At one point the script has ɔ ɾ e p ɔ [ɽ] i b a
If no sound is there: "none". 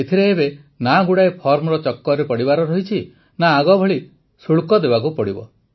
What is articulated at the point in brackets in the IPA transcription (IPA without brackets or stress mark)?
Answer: ɽ